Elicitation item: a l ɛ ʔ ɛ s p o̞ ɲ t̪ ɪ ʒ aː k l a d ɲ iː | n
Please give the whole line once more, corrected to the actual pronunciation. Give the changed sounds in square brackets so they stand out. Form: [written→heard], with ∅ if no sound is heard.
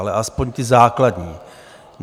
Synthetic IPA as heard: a l ɛ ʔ [ɛ→a] s p o̞ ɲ t̪ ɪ [ʒ→z] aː k l a d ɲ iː | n